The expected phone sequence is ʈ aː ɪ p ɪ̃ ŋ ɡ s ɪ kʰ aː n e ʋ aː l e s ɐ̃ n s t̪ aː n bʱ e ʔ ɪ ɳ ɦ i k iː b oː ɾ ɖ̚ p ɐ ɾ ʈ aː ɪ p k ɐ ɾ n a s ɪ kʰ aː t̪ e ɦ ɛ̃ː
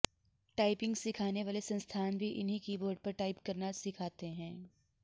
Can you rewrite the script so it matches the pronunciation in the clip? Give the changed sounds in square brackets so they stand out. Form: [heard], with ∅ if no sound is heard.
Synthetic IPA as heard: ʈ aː ɪ p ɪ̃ ŋ ɡ s ɪ kʰ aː n e ʋ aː l e s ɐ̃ n s [t̪ʰ] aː n bʱ [i] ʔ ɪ [n] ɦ i k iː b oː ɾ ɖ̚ p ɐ ɾ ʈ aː ɪ p k ɐ ɾ n a s ɪ kʰ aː t̪ e ɦ ɛ̃ː

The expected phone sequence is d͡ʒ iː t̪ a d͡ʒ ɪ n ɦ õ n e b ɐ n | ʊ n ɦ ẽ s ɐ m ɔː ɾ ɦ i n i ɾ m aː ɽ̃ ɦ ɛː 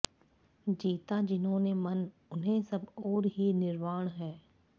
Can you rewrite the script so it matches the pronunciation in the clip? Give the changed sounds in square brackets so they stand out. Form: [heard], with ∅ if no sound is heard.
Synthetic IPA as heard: d͡ʒ iː t̪ a d͡ʒ ɪ n ɦ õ n e [m] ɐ n | ʊ n ɦ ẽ s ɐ [b] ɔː ɾ ɦ i n [ɪ] ɾ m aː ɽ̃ ɦ ɛː

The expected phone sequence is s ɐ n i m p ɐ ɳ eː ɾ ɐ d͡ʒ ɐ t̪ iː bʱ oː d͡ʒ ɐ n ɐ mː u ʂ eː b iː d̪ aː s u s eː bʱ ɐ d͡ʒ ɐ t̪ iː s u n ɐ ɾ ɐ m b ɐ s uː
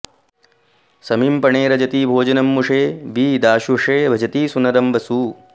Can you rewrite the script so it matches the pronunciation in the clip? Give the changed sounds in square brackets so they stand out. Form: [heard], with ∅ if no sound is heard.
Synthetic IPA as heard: s ɐ [m] i m p ɐ ɳ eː ɾ ɐ d͡ʒ ɐ t̪ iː bʱ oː d͡ʒ ɐ n ɐ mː u ʂ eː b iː d̪ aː [ʃ] u [ʂ] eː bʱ ɐ d͡ʒ ɐ t̪ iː s u n ɐ ɾ ɐ m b ɐ s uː

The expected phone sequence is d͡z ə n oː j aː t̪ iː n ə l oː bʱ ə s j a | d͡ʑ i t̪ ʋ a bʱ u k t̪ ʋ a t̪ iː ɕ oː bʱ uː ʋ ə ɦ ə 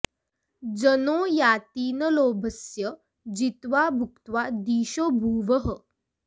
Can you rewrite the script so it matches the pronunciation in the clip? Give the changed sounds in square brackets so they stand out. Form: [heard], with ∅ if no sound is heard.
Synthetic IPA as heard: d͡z ə n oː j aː t̪ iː n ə l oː bʱ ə s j [ə] | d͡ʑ i t̪ ʋ a bʱ u k t̪ ʋ a [d̪] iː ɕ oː bʱ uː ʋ ə ɦ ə

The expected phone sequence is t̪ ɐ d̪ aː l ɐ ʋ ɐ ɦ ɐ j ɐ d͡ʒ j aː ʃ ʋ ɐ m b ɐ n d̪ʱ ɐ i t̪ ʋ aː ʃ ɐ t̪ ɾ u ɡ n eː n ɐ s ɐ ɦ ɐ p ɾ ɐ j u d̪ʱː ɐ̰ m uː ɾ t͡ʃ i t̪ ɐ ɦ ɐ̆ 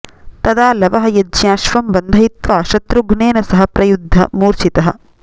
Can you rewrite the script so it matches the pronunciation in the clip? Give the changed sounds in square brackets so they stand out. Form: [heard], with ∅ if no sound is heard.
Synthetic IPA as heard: t̪ ɐ d̪ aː l ɐ ʋ ɐ ɦ ɐ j ɐ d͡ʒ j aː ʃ ʋ ɐ m b ɐ n d̪ʱ ɐ i t̪ ʋ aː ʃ ɐ t̪ ɾ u ɡ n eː n ɐ s ɐ ɦ ɐ p ɾ ɐ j u d̪ʱː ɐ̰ m uː ɾ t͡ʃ i t̪ ɐ ɦ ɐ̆

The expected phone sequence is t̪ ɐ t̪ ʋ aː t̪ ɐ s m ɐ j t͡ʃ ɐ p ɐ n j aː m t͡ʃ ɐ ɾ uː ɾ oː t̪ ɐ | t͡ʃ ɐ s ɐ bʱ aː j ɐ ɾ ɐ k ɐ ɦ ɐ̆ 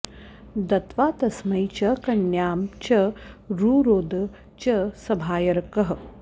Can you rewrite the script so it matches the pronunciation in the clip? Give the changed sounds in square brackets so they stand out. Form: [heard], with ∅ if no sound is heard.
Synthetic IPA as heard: [d̪] ɐ t̪ ʋ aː t̪ ɐ s m ɐ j t͡ʃ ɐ [k] ɐ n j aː m t͡ʃ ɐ ɾ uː ɾ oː [d̪] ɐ | t͡ʃ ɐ s ɐ bʱ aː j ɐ ɾ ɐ k ɐ ɦ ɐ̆

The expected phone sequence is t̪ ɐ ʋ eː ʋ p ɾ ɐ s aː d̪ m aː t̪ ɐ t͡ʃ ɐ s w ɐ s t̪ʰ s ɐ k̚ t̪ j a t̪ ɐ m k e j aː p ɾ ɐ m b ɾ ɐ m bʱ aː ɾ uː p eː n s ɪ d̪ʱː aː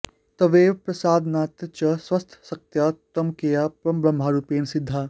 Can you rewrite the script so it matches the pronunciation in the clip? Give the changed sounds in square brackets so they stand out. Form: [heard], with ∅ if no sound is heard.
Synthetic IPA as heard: t̪ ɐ ʋ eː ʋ p ɾ ɐ s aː d̪ [n] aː t̪ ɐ t͡ʃ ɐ s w ɐ s t̪ʰ s ɐ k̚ t̪ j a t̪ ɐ m k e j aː p ɾ ɐ m b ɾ ɐ m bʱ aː ɾ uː p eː n s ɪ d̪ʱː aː

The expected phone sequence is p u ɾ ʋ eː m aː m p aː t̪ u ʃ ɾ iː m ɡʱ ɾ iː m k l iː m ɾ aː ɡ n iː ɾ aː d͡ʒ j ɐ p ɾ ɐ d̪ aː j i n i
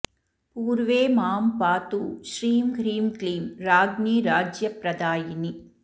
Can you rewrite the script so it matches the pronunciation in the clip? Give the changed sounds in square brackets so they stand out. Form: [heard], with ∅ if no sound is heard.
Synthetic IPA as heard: p [uː] ɾ ʋ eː m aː m p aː t̪ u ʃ ɾ iː m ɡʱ ɾ iː m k l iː m ɾ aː ɡ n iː ɾ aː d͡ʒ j ɐ p ɾ ɐ d̪ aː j i n i

